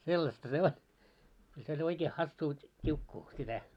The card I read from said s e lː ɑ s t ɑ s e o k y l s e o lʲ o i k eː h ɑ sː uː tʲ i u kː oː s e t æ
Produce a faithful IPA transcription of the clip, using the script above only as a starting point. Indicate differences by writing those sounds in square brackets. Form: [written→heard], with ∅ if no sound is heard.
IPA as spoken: s e lː ɑ s t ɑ s e o k y l s e o lʲ o i k eː h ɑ sː uː tʲ i u kː [oː→uː] s [e→i] t æ